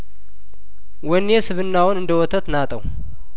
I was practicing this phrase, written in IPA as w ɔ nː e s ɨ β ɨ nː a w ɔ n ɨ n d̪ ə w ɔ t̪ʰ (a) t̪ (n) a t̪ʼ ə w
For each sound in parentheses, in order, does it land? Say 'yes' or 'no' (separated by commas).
no, yes